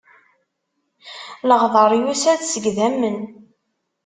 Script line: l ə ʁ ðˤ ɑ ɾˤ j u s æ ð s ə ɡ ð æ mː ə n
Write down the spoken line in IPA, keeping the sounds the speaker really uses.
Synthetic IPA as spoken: l ə ʁ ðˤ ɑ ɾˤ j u s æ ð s ə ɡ ð æ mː ə n